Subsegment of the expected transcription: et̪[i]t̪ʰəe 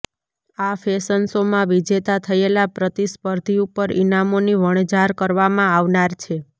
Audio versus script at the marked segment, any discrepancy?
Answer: yes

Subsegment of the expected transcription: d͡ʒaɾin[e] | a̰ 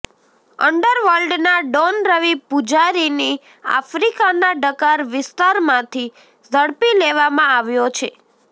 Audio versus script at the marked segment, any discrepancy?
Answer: yes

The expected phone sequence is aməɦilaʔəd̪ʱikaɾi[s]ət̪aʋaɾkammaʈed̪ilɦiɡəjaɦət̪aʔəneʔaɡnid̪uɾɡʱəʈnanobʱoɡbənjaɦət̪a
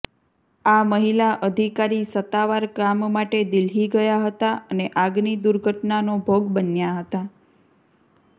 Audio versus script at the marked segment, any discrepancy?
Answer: no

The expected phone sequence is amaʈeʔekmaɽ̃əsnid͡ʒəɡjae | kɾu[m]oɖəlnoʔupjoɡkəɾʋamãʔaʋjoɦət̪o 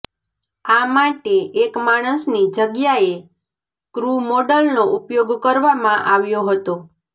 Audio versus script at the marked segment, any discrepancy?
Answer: no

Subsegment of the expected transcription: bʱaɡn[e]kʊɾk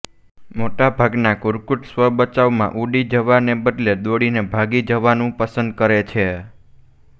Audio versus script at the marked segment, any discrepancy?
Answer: yes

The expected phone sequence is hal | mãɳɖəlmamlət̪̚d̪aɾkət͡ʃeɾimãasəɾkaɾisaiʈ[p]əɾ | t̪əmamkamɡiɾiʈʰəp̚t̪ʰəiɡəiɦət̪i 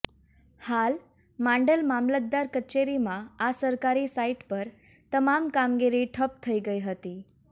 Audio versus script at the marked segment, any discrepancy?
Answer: no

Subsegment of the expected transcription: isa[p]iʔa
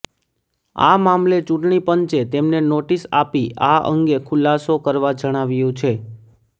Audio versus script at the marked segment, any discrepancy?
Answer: no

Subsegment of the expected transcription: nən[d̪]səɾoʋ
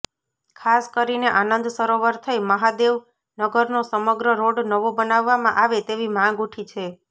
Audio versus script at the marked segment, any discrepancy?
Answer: no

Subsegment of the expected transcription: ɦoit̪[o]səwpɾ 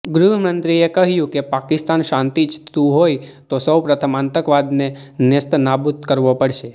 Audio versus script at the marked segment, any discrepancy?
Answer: no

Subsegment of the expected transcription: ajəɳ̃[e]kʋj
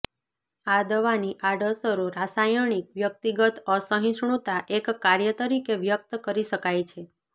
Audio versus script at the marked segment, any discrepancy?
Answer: yes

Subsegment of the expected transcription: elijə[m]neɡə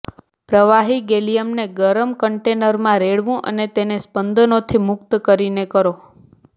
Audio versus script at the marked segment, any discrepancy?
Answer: no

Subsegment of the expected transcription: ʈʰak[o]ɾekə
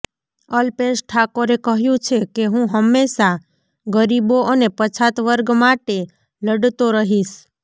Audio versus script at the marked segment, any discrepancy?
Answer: no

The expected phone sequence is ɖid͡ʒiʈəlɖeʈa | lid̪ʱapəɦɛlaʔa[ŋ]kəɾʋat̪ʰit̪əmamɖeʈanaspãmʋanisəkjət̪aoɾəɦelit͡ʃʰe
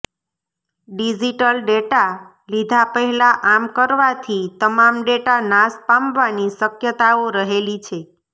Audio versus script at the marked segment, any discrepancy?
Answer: yes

